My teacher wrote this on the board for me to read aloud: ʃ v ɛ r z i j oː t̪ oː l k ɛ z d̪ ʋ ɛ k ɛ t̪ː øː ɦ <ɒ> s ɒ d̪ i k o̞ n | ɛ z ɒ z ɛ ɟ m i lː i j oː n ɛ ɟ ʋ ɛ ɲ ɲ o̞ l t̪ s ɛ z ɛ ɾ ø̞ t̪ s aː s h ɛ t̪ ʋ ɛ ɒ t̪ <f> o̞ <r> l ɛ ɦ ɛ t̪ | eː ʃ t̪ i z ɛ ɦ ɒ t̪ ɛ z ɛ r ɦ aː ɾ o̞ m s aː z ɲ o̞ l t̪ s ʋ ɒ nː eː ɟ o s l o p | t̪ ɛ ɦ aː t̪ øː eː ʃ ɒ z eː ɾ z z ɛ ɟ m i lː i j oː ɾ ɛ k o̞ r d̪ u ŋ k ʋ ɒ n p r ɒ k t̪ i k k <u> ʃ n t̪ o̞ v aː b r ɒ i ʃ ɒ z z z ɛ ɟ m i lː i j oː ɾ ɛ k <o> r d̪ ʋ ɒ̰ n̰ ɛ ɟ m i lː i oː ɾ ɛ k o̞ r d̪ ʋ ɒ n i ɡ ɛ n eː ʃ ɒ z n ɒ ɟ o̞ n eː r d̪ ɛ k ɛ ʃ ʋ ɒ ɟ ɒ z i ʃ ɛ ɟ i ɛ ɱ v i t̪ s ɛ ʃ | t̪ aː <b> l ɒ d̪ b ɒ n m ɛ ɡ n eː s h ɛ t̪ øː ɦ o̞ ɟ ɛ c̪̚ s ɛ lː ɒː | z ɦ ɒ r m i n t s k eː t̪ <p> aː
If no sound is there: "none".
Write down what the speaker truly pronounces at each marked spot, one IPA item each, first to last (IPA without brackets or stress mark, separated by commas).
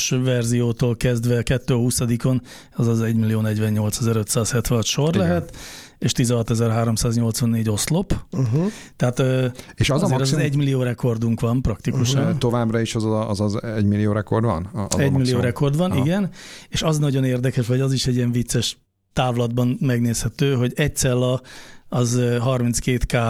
u, ʃ, r, u, o, v, k